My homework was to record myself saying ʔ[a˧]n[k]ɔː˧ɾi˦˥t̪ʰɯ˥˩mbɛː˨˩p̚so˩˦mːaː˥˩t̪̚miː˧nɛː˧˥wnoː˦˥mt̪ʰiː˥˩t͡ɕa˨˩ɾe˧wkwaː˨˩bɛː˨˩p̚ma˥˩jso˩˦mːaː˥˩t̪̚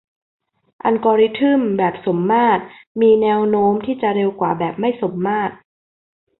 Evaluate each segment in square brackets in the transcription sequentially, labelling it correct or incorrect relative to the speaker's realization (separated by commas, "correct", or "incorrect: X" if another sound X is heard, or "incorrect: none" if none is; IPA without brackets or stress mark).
correct, correct